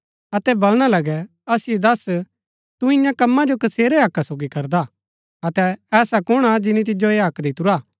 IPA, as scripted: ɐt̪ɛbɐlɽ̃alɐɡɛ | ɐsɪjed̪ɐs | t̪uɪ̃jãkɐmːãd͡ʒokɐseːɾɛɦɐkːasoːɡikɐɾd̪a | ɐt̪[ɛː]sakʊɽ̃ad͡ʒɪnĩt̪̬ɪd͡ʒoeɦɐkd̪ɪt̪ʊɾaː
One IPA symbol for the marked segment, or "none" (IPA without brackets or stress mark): ɛː